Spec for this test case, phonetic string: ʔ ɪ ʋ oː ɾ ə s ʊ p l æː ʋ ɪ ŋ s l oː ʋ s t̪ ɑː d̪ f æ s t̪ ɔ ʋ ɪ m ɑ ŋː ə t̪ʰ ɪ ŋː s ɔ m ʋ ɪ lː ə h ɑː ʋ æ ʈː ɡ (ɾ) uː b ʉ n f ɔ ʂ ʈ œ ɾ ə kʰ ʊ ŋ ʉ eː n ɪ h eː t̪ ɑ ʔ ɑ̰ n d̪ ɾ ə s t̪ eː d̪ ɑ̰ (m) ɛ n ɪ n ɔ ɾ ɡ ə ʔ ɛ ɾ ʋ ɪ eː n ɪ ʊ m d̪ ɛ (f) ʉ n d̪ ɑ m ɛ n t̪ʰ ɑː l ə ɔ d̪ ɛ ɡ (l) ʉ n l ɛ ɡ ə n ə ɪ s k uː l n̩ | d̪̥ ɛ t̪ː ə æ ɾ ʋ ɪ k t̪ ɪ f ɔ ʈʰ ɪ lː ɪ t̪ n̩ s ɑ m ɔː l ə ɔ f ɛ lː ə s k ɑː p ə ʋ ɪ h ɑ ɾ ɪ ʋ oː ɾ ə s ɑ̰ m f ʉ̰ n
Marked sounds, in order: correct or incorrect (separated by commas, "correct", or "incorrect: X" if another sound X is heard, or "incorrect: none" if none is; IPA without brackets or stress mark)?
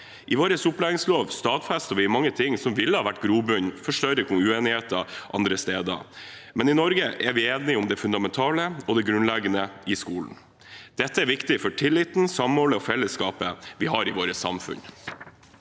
correct, correct, correct, incorrect: ɾ